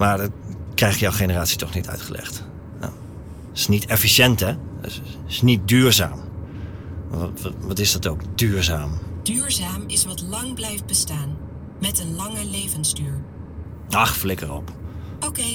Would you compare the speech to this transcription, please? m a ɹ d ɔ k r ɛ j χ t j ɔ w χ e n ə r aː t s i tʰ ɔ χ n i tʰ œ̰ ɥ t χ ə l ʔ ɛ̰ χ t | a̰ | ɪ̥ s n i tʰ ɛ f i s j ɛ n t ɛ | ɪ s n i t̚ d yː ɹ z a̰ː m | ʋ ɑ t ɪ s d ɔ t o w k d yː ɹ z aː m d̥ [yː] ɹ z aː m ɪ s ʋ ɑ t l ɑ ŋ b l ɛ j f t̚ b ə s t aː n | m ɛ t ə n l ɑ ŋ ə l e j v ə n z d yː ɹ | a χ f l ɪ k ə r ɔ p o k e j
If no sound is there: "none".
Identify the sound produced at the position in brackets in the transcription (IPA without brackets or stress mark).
yː